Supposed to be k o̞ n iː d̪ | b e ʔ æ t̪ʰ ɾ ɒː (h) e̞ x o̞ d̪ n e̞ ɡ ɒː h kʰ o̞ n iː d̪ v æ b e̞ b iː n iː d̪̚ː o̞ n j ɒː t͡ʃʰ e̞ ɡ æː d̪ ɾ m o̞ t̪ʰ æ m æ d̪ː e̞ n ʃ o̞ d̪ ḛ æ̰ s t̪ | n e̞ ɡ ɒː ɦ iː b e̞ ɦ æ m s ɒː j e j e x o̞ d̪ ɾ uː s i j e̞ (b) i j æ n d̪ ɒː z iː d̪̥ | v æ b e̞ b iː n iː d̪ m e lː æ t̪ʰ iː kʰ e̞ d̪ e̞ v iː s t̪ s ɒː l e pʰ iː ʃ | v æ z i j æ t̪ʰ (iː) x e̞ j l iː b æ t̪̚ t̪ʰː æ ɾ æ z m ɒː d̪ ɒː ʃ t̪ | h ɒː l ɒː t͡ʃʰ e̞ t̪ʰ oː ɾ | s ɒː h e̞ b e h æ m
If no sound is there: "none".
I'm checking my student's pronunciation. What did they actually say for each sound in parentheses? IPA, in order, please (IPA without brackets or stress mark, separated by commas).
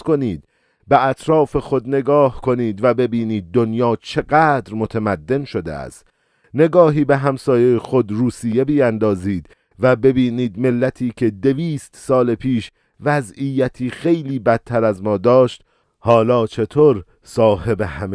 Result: f, b, iː